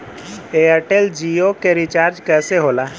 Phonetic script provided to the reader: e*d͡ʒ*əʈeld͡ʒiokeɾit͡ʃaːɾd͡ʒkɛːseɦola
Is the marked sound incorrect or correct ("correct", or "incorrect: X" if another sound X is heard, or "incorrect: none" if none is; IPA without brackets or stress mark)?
incorrect: none